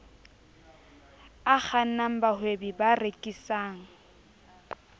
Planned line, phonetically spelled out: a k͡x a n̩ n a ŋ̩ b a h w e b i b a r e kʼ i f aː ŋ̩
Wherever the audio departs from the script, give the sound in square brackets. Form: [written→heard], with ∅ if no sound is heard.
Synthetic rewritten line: a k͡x a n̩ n a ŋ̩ b a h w e b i b a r e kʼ i [f→s] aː ŋ̩